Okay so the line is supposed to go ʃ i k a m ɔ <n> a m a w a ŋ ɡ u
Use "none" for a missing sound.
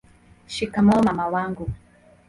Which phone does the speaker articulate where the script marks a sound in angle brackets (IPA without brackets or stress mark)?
m